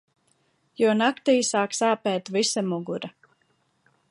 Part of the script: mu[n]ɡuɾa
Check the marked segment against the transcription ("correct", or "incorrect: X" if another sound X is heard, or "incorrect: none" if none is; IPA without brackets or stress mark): incorrect: none